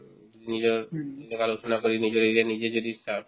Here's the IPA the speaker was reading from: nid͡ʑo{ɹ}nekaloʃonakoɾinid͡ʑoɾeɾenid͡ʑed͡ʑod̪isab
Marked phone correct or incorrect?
incorrect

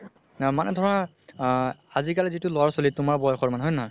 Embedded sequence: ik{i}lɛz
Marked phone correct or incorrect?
incorrect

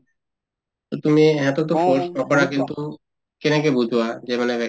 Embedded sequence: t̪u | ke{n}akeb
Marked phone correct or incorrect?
correct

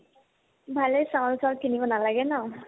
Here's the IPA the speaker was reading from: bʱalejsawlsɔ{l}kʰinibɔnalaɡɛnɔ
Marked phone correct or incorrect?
correct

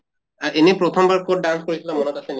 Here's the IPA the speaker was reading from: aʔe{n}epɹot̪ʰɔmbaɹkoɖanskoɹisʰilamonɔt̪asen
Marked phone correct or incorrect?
correct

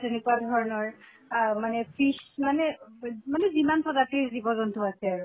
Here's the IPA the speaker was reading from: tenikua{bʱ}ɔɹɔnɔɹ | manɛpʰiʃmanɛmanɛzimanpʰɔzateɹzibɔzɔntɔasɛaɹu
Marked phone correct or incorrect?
incorrect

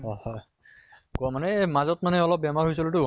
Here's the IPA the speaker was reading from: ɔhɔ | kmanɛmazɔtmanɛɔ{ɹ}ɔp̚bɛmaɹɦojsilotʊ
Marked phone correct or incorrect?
incorrect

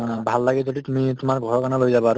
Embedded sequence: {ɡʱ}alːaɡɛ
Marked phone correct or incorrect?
incorrect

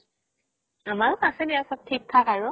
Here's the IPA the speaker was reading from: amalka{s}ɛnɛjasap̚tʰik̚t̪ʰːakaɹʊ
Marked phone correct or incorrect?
correct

